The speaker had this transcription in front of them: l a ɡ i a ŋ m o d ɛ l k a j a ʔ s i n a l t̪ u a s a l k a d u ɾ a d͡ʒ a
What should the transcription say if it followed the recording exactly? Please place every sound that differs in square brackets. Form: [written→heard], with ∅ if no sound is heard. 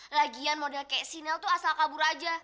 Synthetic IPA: l a ɡ i a [ŋ→n] m o d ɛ l k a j a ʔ s i n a l t̪ u a s a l k a [d→b] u ɾ a d͡ʒ a